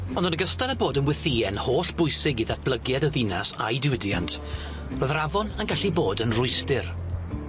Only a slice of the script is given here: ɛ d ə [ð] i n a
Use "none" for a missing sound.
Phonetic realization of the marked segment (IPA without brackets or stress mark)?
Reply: ð